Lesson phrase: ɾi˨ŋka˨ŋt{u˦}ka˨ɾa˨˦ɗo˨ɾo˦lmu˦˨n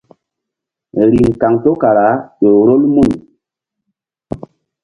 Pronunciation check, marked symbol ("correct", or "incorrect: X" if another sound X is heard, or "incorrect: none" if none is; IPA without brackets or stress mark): incorrect: o˦